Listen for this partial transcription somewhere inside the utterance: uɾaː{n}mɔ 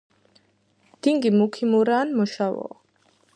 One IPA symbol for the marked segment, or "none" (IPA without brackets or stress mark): n